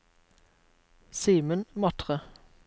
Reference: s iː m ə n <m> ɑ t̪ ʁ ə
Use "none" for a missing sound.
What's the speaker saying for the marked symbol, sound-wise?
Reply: m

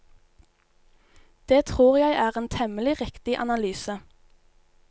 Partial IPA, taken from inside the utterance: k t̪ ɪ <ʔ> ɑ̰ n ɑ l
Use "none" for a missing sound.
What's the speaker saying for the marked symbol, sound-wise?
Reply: ʔ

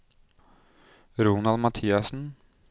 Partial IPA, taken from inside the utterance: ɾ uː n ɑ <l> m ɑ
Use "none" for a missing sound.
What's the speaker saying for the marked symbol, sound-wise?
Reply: l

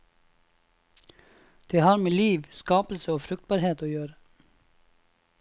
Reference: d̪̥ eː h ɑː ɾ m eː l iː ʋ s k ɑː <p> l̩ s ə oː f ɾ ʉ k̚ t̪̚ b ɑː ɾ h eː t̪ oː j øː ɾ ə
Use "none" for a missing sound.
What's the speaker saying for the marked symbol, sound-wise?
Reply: p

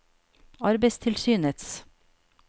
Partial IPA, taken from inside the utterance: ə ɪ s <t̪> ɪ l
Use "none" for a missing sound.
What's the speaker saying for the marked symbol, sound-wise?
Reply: t̪ʰ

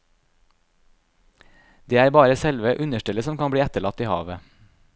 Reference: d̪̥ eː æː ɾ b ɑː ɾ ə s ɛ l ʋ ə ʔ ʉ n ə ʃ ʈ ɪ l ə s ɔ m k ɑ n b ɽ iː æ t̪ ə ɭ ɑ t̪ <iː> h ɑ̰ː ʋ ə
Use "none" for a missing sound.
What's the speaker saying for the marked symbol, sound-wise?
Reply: iː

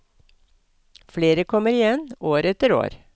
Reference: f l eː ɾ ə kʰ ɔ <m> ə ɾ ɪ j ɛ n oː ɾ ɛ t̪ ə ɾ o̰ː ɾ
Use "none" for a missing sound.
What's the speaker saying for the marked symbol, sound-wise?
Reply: m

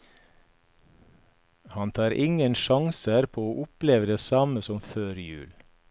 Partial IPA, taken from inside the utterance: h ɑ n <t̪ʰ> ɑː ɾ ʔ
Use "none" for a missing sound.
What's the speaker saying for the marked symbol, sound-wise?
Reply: t̪ʰ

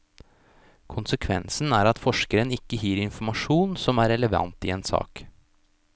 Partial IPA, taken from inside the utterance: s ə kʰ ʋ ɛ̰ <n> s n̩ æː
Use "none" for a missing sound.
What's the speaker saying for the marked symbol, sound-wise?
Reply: n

